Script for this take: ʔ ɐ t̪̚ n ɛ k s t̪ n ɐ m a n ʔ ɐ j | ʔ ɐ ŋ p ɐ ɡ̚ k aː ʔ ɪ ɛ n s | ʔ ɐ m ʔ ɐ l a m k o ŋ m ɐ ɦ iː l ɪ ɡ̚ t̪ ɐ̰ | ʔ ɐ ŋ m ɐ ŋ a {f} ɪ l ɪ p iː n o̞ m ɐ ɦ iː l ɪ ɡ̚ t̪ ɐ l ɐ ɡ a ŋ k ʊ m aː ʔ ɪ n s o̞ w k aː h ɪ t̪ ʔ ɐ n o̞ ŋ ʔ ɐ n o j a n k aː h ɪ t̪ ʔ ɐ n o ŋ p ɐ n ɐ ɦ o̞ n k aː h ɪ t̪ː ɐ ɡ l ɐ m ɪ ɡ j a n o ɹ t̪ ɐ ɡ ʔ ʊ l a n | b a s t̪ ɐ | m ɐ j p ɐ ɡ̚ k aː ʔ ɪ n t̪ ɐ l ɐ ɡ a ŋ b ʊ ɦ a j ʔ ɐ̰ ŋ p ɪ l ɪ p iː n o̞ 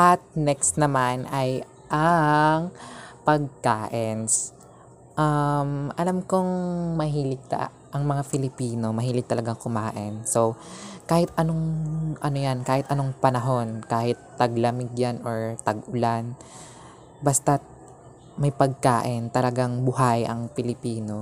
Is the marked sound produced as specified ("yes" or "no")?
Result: yes